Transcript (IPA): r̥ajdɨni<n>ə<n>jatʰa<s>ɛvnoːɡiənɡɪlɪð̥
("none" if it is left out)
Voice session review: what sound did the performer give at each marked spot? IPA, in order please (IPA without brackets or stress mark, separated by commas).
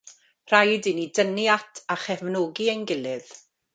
d, n, χ